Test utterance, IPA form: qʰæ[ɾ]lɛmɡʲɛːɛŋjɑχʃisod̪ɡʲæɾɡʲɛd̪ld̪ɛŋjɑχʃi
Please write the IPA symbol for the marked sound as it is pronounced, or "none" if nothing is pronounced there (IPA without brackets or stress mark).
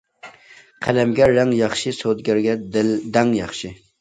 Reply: none